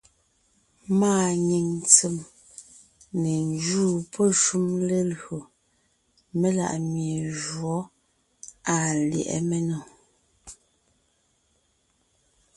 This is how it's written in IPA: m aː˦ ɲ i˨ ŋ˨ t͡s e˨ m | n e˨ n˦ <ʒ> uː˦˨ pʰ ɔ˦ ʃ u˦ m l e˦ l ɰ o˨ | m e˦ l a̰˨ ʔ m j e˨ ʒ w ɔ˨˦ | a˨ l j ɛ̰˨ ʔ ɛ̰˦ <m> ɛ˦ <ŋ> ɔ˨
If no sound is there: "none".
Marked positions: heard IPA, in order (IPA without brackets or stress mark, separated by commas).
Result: d͡ʒ, m, n